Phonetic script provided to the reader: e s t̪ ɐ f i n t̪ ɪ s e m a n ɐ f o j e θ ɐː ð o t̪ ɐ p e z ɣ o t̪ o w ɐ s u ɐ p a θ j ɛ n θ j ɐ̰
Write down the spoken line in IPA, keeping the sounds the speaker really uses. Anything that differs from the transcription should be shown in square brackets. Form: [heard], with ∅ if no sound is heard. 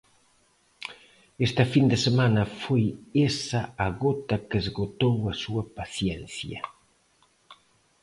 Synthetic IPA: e s t̪ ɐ f i n [d̪] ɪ s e m a n ɐ f o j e [s] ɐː [ɣ] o t̪ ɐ [k] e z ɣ o t̪ o w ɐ s u ɐ p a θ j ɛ n θ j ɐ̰

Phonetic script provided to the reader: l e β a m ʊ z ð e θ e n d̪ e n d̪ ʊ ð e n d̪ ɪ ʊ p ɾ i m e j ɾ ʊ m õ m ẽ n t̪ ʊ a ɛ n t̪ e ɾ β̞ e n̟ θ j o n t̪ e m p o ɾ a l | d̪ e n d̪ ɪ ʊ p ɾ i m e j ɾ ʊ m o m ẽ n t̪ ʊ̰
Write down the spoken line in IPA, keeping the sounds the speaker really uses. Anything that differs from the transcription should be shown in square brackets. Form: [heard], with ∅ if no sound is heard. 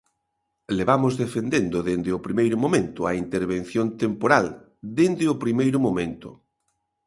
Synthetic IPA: l e β a m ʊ z ð e [f] e n d̪ e n d̪ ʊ ð e n d̪ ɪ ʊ p ɾ i m e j ɾ ʊ m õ m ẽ n t̪ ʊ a [i] n t̪ e ɾ β̞ e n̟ θ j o n t̪ e m p o ɾ a l | d̪ e n d̪ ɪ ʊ p ɾ i m e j ɾ ʊ m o m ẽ n t̪ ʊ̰

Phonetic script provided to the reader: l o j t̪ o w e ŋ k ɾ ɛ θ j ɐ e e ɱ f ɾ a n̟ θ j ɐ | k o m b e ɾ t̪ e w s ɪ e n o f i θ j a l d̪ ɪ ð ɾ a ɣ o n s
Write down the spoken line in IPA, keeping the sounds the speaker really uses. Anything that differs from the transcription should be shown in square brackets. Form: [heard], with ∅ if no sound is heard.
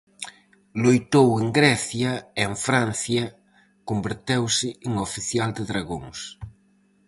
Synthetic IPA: l o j t̪ o w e ŋ [ɡ] ɾ ɛ θ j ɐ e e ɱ f ɾ a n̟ θ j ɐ | k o m b e ɾ t̪ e w s ɪ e [ŋ] o f i θ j a l d̪ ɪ ð ɾ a ɣ o [ŋ] s

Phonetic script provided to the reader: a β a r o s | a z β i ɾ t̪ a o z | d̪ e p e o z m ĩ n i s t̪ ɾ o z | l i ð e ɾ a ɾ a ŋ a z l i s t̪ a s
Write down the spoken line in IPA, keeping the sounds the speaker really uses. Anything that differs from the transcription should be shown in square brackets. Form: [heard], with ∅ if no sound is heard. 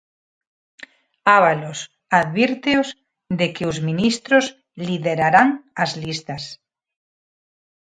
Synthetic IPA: a β a [l] o s | a [ð] β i ɾ t̪ [e] o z | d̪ e [k] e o z m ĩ n i s t̪ ɾ o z | l i ð e ɾ a ɾ a ŋ a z l i s t̪ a s

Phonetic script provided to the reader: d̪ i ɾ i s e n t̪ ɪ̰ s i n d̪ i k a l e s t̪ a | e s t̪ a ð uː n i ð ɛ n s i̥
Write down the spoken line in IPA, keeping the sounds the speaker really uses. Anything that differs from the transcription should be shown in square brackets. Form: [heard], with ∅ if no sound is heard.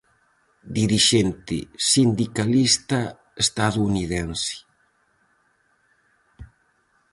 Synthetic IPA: d̪ i ɾ i [ʃ] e n t̪ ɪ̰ s i n d̪ i k a l [i] s t̪ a | e s t̪ a ð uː n i ð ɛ n s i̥

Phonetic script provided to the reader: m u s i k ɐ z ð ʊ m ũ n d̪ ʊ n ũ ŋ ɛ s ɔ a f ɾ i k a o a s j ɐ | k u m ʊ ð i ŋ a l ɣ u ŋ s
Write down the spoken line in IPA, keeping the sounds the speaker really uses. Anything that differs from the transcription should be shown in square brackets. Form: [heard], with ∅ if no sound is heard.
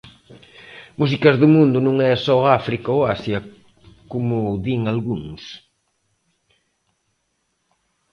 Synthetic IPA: m u s i k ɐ z ð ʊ m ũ n d̪ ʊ n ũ ŋ ɛ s ɔ a f ɾ i k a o a s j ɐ | k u m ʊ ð i ŋ a l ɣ u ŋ s

